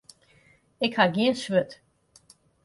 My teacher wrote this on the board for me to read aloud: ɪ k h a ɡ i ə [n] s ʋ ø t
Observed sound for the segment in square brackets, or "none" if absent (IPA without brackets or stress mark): n